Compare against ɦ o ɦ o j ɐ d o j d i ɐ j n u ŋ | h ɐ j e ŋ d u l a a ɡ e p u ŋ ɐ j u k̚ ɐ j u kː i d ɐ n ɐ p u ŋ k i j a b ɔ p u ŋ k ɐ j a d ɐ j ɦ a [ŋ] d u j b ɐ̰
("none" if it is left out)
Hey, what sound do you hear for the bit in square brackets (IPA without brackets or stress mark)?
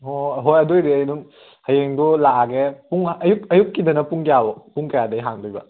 ŋ